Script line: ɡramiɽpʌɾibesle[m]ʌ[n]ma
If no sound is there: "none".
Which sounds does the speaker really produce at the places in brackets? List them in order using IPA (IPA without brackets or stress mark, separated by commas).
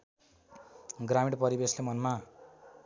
m, n